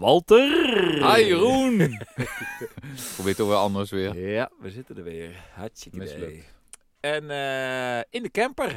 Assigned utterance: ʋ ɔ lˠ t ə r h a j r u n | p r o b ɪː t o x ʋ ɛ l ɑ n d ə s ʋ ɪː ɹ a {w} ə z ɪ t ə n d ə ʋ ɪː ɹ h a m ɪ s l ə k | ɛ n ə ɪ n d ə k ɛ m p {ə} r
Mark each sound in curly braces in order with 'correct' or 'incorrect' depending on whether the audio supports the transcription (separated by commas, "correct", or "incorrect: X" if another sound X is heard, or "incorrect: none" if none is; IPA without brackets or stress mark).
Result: incorrect: ʋ, correct